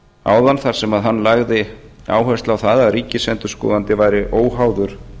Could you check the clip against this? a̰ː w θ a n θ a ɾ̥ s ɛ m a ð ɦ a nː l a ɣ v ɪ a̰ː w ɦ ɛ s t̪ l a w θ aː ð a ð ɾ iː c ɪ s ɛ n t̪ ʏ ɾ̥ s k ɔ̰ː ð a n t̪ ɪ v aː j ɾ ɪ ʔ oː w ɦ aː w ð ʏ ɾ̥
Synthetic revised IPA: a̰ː w ð a n θ a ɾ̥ s ɛ m a ð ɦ a nː l a ɣ ð ɪ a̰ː w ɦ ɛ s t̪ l a w θ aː ð a ð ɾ iː c ɪ s ɛ n t̪ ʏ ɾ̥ s k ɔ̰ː ð a n t̪ ɪ v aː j ɾ ɪ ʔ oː w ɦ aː w ð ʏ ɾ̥